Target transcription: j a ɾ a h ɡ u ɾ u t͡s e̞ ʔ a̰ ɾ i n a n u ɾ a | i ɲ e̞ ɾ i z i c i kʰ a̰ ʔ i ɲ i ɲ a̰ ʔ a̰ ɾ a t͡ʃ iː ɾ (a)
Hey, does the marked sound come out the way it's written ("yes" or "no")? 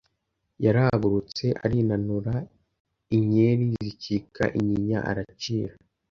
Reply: yes